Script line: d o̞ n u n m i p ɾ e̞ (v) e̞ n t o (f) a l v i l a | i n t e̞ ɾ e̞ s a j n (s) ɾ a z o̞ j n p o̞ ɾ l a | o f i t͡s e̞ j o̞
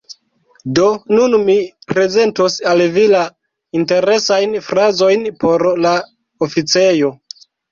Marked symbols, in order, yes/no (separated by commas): no, no, no